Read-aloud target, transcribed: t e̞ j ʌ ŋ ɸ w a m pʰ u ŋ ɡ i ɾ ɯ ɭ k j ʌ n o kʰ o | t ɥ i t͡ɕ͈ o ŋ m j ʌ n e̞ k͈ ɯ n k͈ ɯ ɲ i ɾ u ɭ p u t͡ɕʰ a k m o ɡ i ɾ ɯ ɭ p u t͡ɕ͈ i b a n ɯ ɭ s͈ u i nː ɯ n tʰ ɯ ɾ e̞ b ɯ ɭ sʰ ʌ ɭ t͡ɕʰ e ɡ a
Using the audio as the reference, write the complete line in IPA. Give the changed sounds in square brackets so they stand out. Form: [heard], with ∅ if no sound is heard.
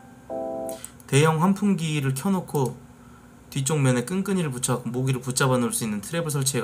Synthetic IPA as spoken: t e̞ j ʌ ŋ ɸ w a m pʰ u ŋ ɡ i ɾ ɯ ɭ [kʰ] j ʌ n o kʰ o | t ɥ i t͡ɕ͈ o ŋ m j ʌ n e̞ k͈ ɯ n k͈ ɯ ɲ i ɾ [ɯ] ɭ p u t͡ɕʰ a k m o ɡ i ɾ ɯ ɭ p u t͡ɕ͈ [a] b a n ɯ ɭ s͈ u i nː ɯ n tʰ ɯ ɾ e̞ b ɯ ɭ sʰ ʌ ɭ t͡ɕʰ e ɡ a